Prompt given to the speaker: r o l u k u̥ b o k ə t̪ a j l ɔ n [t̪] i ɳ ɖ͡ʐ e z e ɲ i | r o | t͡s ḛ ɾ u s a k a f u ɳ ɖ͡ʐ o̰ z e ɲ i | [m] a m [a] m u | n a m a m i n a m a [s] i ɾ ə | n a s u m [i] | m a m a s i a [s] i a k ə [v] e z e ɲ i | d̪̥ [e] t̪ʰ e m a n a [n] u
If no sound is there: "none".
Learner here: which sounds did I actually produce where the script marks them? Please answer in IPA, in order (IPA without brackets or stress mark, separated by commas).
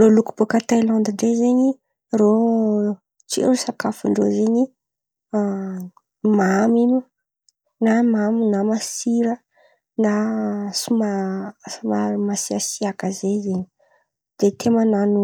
d̪, m, i, s, a, s, z, e, n